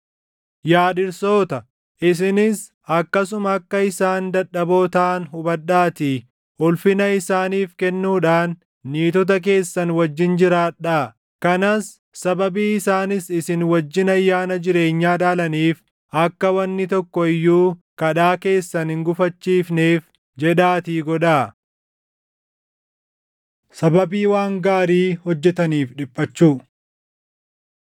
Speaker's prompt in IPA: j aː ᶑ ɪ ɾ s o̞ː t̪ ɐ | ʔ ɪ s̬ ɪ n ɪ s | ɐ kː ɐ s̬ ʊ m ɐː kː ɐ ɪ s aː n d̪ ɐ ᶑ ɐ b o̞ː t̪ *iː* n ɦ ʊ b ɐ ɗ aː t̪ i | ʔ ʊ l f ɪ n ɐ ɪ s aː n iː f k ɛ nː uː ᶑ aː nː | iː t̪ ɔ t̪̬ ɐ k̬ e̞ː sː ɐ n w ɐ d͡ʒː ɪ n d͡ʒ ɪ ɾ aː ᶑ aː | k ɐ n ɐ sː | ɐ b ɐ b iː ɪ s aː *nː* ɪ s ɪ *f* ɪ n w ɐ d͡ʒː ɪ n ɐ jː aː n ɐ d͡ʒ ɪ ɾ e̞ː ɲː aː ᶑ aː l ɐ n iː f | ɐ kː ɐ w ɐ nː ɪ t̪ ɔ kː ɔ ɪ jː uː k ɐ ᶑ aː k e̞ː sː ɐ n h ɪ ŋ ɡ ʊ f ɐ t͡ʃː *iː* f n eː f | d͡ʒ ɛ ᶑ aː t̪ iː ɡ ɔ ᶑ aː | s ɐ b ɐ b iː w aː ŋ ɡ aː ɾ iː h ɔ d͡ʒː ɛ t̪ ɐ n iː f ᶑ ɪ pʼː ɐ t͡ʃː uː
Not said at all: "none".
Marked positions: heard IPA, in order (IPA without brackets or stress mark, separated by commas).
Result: aː, n, s, iː